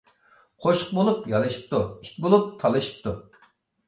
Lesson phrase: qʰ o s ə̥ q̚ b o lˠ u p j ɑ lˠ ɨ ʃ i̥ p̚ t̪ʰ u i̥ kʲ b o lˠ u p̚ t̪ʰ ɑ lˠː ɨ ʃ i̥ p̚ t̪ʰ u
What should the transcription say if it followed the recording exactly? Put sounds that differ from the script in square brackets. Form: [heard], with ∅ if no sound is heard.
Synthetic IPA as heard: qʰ o [ʃ] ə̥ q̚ b o lˠ u p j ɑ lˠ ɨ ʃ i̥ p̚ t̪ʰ u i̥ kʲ b o lˠ u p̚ t̪ʰ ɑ [lˠ] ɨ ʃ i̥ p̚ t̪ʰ u

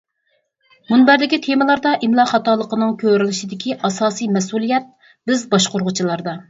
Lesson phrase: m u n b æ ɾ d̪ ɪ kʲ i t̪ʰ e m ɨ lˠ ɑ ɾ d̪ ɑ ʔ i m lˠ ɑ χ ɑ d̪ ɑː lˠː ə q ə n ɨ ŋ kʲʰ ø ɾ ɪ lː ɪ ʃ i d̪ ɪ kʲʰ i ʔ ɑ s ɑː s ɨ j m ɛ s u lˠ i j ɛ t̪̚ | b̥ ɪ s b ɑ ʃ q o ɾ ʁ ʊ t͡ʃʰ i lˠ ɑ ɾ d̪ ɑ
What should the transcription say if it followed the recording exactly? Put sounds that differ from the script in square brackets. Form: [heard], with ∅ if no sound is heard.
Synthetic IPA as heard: m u n b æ ɾ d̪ ɪ kʲ i t̪ʰ e m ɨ lˠ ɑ ɾ d̪ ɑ ʔ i m lˠ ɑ χ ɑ [t̪] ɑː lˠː ə q ə n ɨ ŋ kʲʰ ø ɾ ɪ [l] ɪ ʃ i d̪ ɪ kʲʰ i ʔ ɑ s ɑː s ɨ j m ɛ s u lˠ i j ɛ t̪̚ | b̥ ɪ [z] b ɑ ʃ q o ɾ ʁ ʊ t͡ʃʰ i lˠ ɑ ɾ d̪ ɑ

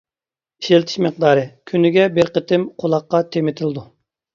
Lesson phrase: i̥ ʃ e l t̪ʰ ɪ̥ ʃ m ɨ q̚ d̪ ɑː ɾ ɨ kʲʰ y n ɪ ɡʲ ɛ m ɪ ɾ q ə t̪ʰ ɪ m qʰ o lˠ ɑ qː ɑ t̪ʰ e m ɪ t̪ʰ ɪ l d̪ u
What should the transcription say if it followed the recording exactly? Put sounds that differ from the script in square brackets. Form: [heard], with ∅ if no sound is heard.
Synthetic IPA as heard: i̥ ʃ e l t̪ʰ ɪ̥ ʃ m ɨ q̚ d̪ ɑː ɾ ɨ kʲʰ y n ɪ ɡʲ ɛ [b] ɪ ɾ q ə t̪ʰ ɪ m qʰ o lˠ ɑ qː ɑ t̪ʰ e m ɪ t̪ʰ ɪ l d̪ u

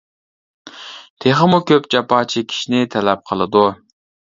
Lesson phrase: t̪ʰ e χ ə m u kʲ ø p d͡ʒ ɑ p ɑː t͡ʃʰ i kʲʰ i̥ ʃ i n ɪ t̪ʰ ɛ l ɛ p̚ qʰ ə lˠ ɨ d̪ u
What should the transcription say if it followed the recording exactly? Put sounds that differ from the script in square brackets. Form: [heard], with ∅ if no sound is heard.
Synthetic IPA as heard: t̪ʰ e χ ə m u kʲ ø p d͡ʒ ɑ p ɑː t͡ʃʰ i kʲʰ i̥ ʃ i n ɪ t̪ʰ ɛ l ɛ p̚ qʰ ə lˠ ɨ d̪ u

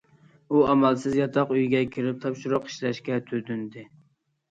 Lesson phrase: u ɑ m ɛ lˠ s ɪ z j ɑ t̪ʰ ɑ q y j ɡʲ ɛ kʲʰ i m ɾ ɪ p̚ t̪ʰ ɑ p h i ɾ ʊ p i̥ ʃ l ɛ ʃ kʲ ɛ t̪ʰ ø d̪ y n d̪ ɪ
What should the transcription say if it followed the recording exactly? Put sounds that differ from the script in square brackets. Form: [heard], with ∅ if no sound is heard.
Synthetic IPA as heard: u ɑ m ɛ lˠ s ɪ z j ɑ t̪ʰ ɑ q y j ɡʲ ɛ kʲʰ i [∅] ɾ ɪ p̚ t̪ʰ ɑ p [ʃ] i ɾ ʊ [q] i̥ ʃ l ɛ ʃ kʲ ɛ t̪ʰ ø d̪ y n d̪ ɪ

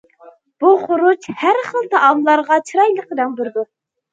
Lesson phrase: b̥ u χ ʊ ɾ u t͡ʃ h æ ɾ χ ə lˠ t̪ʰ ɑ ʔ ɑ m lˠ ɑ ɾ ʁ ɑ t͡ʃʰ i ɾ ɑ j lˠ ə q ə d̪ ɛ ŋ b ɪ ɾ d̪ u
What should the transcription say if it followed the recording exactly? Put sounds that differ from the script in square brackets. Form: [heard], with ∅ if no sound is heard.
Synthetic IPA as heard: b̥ u χ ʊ ɾ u t͡ʃ h æ ɾ χ ə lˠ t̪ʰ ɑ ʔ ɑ m lˠ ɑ ɾ ʁ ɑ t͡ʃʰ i ɾ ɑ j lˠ ə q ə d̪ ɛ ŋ b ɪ ɾ d̪ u

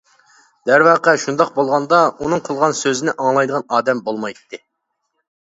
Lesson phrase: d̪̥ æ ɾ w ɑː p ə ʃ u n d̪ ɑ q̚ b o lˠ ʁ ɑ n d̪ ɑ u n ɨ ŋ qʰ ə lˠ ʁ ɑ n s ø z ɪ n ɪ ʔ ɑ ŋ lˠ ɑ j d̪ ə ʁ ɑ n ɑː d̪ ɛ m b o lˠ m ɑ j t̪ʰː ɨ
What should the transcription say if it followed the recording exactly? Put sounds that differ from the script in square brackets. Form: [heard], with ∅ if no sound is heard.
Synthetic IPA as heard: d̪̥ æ ɾ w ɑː [q] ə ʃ u n d̪ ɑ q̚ b o lˠ ʁ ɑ n d̪ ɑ u n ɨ ŋ qʰ ə lˠ ʁ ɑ n s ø z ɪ n ɪ ʔ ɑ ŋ lˠ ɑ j d̪ ə ʁ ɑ n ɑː d̪ ɛ m b o lˠ m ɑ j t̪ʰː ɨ

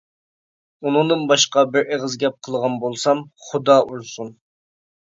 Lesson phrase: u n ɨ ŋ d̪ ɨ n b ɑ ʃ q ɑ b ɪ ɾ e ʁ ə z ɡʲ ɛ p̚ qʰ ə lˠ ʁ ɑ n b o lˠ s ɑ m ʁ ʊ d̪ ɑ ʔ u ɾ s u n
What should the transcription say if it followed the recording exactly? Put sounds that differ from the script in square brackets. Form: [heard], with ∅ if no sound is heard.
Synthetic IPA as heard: u n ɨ ŋ d̪ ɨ n b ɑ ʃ q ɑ b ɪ ɾ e ʁ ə z ɡʲ ɛ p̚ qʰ ə lˠ ʁ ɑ n b o lˠ s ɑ m [χ] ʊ d̪ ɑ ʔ u ɾ s u n

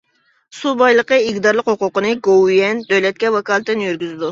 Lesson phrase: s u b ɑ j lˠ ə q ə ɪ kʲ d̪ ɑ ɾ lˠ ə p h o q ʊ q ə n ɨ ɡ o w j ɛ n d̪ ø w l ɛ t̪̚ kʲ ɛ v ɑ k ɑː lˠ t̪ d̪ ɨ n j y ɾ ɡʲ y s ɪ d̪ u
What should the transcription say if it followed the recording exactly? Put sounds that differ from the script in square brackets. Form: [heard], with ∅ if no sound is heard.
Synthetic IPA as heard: s u b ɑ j lˠ ə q ə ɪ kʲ d̪ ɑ ɾ lˠ ə [q] h o q ʊ q ə n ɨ ɡ o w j ɛ n d̪ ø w l ɛ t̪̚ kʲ ɛ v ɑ k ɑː lˠ t̪ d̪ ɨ n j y ɾ ɡʲ y [z] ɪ d̪ u

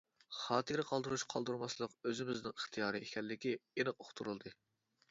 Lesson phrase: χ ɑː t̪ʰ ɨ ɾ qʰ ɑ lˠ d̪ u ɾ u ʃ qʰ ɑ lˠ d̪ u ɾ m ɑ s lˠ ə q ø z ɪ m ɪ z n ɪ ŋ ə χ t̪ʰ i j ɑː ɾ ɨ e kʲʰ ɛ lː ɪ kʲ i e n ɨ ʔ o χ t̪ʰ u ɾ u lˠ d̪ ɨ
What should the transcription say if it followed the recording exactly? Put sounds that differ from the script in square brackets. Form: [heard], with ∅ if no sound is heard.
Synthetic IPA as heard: χ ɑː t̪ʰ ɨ ɾ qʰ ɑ lˠ d̪ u ɾ u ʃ qʰ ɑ lˠ d̪ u ɾ m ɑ s lˠ ə q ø z ɪ m ɪ z n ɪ ŋ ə χ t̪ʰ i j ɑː ɾ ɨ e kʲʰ ɛ lː ɪ kʲ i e n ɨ [q] o χ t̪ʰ u ɾ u lˠ d̪ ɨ

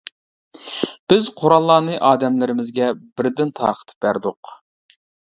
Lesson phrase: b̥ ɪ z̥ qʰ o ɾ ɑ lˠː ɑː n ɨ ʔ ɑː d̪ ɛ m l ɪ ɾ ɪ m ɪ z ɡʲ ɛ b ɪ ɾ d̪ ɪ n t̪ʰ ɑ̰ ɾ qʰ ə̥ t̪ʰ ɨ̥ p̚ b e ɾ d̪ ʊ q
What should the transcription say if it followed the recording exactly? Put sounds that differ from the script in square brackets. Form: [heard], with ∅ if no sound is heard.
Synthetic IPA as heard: b̥ ɪ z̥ qʰ o ɾ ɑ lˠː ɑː n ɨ ʔ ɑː d̪ ɛ m l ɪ ɾ ɪ m ɪ z ɡʲ ɛ b ɪ ɾ d̪ ɪ n t̪ʰ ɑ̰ ɾ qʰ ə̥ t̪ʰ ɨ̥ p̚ b [æ] ɾ d̪ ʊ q

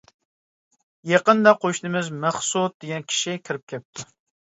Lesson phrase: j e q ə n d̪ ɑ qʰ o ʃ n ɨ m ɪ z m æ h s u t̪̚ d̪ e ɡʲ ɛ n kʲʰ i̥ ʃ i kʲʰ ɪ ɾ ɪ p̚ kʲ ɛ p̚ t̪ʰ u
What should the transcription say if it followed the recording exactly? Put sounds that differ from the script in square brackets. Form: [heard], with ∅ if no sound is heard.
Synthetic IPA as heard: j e q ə n d̪ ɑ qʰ o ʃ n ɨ m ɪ z m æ [χ] s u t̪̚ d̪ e ɡʲ ɛ n kʲʰ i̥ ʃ i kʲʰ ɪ ɾ ɪ p̚ kʲ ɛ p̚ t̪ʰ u

